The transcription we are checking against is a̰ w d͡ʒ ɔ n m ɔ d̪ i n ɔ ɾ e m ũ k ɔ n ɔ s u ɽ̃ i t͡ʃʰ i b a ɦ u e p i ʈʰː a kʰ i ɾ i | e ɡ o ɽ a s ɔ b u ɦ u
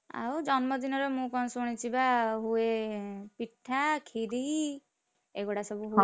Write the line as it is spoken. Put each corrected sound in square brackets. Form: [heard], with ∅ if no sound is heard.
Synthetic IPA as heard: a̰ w d͡ʒ ɔ n m ɔ d̪ i n ɔ ɾ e m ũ k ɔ n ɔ s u ɽ̃ i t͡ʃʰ i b a ɦ u e p i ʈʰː a kʰ i ɾ i | e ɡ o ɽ a s ɔ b u ɦ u